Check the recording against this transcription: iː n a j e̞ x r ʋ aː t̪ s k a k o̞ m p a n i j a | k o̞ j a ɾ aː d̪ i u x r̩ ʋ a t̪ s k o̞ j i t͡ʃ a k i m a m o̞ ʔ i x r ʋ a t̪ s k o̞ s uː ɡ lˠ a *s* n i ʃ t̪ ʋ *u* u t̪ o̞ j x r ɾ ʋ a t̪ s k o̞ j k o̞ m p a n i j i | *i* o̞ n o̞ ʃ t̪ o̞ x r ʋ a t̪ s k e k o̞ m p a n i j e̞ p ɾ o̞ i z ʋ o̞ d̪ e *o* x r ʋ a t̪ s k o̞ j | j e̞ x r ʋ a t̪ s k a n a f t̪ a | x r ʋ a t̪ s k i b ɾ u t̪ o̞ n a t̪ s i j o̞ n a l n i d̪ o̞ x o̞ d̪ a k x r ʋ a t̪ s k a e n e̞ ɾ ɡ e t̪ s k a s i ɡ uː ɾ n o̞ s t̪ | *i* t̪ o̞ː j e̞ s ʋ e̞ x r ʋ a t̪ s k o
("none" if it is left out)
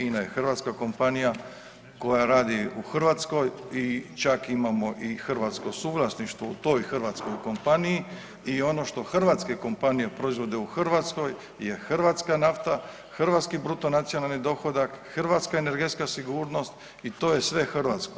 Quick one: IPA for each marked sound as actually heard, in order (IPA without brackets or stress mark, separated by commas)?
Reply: s, o, i, u, i